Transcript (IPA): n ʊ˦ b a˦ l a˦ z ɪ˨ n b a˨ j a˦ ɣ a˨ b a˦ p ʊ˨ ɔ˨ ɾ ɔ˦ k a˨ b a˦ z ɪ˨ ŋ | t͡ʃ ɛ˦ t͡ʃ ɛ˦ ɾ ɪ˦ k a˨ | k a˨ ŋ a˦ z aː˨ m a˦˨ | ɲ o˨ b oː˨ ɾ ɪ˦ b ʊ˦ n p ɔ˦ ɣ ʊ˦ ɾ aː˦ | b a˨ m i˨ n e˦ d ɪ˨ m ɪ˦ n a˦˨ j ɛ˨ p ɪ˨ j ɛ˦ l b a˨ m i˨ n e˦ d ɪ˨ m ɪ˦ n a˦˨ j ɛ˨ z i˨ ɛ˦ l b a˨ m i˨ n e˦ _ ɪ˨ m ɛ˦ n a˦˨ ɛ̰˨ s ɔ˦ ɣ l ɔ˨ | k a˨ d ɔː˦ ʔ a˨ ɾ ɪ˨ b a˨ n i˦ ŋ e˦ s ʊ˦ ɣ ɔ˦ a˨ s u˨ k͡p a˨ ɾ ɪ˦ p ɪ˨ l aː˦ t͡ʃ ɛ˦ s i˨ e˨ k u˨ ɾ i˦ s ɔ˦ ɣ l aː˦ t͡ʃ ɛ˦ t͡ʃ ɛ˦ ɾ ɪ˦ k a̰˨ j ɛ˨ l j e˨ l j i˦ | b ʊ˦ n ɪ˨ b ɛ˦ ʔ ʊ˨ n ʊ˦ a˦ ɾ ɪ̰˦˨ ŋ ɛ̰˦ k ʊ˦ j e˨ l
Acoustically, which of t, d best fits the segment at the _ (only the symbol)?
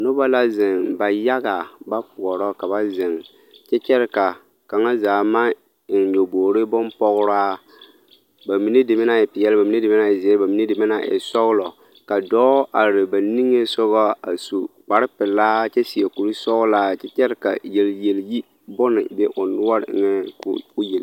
d